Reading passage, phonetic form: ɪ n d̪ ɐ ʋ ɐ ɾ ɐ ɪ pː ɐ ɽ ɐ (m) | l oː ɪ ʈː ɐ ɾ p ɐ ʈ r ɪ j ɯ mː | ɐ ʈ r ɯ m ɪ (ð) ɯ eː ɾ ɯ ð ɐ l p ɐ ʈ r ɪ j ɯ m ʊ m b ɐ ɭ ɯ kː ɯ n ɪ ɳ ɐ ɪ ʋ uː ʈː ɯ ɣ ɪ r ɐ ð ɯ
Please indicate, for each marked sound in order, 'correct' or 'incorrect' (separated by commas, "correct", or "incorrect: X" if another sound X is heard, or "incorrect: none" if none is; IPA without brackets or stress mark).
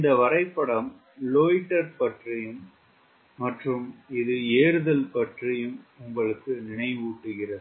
correct, correct